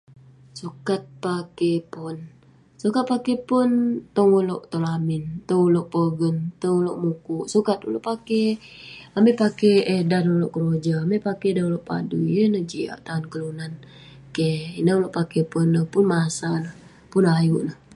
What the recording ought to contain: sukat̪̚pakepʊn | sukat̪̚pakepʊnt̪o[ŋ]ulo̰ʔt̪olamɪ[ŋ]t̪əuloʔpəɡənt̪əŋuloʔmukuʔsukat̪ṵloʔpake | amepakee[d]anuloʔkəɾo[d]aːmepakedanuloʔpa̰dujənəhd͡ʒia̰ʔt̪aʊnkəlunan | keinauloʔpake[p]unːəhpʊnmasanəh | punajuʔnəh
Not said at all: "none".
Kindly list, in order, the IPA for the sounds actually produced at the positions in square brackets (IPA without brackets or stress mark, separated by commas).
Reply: ŋ, n, d, d͡ʒ, p